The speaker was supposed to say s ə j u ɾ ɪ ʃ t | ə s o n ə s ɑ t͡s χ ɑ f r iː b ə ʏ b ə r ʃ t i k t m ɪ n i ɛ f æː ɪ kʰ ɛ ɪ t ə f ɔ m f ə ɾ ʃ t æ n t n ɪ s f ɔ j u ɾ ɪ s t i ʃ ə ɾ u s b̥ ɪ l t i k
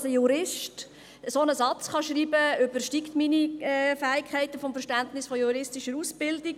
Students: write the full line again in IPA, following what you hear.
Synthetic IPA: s ə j u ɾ ɪ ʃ t | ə s o n ə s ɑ t͡s χ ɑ ʃ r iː b ə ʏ b ə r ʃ t i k t m i n i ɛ f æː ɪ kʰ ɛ ɪ t ə f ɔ m f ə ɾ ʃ t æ n t n ɪ s f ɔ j u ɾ ɪ s t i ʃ ə ɾ u s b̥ ɪ l d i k